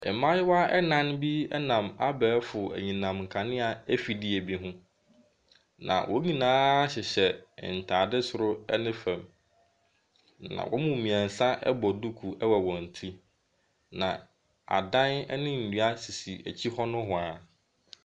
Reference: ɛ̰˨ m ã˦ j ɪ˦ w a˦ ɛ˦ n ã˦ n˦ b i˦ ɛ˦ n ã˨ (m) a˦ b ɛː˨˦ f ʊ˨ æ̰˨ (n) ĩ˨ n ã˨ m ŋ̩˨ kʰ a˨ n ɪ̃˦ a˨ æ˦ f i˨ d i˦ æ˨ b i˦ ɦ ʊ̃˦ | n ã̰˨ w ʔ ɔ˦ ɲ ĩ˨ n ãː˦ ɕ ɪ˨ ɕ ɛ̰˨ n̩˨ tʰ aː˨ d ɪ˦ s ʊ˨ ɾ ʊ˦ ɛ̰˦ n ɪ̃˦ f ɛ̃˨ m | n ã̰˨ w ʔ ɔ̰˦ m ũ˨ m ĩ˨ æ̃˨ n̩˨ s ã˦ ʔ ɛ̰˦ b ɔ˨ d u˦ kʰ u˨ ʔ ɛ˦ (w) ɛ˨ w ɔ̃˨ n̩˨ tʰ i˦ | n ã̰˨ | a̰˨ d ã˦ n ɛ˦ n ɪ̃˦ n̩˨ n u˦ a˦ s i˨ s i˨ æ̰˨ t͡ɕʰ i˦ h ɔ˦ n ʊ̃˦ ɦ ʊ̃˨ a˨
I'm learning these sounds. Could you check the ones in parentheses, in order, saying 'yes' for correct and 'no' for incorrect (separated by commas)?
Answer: yes, no, yes